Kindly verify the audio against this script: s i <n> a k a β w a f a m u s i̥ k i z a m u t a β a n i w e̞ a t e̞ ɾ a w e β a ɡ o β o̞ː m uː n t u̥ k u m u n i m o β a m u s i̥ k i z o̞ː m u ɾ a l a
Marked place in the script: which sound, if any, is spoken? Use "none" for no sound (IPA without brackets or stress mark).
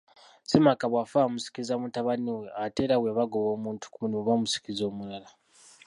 m